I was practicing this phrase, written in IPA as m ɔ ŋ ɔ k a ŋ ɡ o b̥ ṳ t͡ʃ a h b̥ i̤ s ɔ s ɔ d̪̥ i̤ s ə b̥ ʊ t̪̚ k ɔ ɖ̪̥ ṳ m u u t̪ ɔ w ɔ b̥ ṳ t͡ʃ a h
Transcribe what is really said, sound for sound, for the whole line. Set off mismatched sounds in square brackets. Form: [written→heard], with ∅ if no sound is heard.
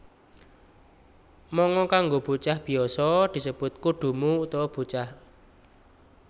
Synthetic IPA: m ɔ ŋ ɔ k a ŋ ɡ o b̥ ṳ t͡ʃ a h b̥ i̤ [s→∅] ɔ s ɔ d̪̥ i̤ s ə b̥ ʊ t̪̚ k [ɔ→u] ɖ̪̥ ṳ m u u t̪ ɔ w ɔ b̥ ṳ t͡ʃ a h